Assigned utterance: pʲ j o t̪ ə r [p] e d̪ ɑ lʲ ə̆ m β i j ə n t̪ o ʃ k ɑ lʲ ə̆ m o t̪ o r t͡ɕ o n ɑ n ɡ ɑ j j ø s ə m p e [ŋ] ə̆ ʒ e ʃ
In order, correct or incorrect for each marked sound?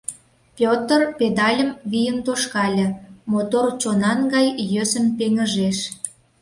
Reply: correct, correct

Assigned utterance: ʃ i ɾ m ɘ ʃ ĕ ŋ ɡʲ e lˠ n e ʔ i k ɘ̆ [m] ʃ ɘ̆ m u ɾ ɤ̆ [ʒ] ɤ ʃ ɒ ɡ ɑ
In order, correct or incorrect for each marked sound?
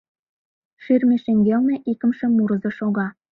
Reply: correct, incorrect: z

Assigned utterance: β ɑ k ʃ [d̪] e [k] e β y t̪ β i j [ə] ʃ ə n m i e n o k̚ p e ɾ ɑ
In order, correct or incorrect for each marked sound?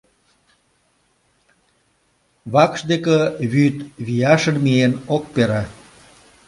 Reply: correct, correct, incorrect: ɑ

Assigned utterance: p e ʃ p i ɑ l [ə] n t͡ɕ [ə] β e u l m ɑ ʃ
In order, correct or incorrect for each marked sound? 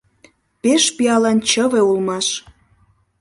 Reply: incorrect: ɑ, correct

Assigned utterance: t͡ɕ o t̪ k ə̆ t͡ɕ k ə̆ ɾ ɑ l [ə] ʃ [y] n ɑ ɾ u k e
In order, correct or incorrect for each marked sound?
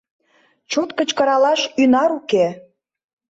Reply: incorrect: ɑ, correct

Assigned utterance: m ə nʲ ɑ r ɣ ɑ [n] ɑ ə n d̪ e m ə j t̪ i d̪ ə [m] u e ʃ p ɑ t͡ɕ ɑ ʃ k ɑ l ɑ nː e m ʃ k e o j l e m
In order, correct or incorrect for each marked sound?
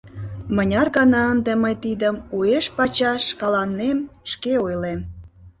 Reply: correct, correct

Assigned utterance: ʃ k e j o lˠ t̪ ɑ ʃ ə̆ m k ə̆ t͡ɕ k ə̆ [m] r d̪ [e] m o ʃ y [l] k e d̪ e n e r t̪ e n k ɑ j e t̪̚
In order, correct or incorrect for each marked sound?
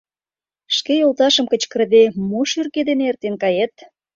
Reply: incorrect: none, correct, incorrect: r

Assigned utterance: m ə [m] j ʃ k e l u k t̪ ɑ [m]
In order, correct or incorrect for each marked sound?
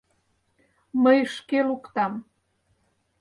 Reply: incorrect: none, correct

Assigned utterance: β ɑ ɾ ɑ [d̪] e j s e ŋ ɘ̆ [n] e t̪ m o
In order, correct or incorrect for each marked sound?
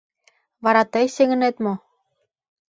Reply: incorrect: t̪, correct

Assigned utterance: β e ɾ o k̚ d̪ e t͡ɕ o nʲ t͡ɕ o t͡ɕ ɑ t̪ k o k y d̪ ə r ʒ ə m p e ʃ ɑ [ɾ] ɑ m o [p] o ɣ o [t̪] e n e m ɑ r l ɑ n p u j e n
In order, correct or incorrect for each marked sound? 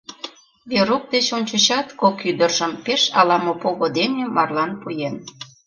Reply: incorrect: l, correct, incorrect: d̪

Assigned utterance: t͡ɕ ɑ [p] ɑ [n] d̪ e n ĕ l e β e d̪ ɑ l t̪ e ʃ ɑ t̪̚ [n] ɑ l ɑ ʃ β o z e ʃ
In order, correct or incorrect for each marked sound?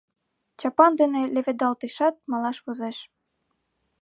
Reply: correct, correct, incorrect: m

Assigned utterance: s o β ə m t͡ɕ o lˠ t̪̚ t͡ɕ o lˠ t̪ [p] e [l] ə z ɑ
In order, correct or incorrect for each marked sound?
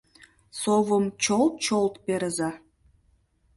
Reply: correct, incorrect: ɾ

